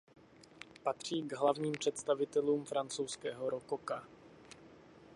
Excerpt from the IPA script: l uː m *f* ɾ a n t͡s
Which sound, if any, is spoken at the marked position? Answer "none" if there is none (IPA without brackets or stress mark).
f